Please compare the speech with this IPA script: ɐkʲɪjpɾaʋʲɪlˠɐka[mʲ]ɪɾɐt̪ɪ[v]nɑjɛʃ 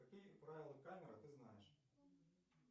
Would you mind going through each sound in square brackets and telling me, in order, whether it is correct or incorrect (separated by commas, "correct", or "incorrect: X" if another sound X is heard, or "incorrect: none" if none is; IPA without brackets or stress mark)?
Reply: correct, incorrect: z